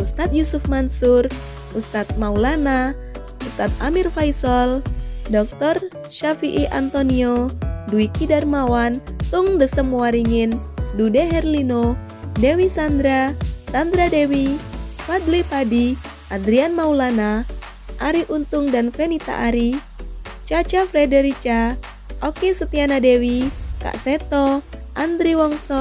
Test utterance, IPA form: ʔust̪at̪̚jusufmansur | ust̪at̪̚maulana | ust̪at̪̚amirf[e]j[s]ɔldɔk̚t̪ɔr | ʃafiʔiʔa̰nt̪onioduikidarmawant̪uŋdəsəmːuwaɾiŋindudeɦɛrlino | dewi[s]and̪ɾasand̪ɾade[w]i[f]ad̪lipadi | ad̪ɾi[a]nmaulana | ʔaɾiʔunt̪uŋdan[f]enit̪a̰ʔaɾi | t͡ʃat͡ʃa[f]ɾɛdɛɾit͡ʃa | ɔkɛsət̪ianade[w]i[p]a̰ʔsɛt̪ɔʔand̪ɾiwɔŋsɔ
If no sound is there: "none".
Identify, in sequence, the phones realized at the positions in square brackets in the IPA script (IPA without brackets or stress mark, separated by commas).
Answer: a, s, s, w, f, a, f, f, w, k